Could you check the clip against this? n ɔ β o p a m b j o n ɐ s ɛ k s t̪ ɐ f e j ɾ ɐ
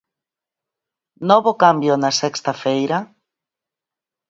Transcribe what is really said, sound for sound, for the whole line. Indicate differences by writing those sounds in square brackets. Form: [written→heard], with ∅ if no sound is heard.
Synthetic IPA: n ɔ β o [p→k] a m b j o n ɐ s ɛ k s t̪ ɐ f e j ɾ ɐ